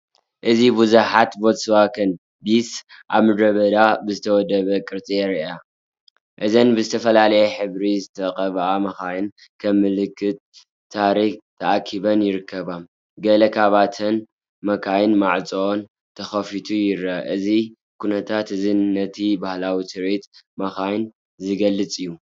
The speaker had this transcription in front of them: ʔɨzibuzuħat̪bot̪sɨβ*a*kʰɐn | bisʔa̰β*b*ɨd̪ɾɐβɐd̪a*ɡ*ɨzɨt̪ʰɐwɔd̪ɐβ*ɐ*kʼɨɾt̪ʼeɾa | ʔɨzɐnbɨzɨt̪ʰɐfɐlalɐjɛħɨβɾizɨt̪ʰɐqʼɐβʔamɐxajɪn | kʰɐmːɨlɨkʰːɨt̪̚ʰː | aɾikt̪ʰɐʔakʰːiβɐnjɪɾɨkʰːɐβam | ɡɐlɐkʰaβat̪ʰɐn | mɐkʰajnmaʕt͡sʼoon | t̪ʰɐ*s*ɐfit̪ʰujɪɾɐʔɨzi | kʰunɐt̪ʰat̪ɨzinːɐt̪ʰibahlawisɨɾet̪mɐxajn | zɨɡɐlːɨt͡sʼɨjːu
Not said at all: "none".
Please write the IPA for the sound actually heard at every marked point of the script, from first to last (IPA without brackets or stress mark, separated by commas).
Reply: a, m, b, ɐ, x